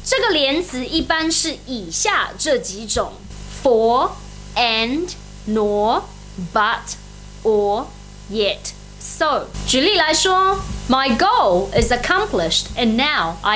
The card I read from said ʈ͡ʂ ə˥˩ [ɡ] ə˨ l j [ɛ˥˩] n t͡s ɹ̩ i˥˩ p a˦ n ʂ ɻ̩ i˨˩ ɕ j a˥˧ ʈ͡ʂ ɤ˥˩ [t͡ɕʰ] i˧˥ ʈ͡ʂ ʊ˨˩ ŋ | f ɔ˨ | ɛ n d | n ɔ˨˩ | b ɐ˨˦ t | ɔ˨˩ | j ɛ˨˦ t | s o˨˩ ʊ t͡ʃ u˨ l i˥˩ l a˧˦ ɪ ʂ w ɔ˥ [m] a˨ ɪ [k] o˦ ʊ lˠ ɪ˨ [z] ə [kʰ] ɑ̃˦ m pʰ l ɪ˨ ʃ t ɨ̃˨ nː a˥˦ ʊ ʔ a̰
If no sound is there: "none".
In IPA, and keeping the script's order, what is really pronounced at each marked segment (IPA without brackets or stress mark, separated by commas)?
ɡ, ɛ˧˦, t͡ɕ, m, ɡ, z, kʰ